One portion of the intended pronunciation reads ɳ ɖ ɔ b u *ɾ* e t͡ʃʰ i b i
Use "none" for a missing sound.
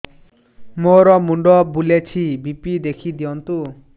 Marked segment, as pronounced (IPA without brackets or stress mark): l